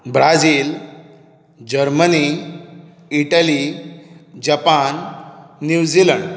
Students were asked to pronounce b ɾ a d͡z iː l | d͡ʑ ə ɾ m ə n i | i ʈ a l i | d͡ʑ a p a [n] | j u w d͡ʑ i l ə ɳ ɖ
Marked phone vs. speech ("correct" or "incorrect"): incorrect